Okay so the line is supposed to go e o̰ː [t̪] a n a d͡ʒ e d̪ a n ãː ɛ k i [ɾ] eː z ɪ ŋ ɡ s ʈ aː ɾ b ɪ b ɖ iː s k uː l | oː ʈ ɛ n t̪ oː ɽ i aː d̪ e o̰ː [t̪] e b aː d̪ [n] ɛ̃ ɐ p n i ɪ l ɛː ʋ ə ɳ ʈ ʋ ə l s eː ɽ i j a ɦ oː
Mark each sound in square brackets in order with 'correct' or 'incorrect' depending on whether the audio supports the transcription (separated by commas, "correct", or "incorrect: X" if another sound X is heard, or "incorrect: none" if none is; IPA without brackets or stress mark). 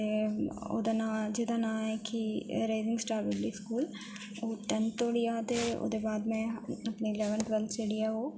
incorrect: d̪, correct, incorrect: d̪, incorrect: m